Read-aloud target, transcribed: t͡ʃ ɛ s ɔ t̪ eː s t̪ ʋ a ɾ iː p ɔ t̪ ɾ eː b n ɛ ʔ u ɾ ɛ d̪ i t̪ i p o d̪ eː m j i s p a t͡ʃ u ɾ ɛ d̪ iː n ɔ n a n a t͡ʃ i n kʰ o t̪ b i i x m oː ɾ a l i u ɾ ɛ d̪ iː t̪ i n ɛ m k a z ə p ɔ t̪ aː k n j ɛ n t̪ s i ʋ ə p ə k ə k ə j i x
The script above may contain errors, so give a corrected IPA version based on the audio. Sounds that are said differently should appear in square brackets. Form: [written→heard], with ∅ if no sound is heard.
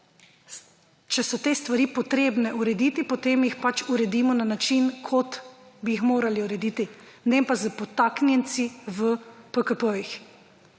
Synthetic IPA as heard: t͡ʃ ɛ s ɔ t̪ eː s t̪ ʋ a ɾ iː p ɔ t̪ ɾ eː b n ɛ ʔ u ɾ ɛ d̪ i t̪ i p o [d̪→t̪] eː m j i [s→x] p a t͡ʃ u ɾ ɛ d̪ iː [n→m] ɔ n a n a t͡ʃ i n kʰ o t̪ b i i x m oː ɾ a l i u ɾ ɛ d̪ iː t̪ i n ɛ m [k→p] a z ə p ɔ t̪ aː k n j ɛ n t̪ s i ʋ ə p ə k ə [k→p] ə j i x